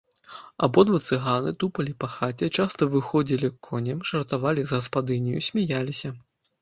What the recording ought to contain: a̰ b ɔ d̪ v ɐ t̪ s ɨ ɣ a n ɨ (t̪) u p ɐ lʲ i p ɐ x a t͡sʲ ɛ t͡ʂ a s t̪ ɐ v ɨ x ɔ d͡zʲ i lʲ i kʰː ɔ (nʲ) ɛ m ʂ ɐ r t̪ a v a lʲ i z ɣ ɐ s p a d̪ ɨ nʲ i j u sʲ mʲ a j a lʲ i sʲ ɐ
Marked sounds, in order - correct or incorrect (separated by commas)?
correct, correct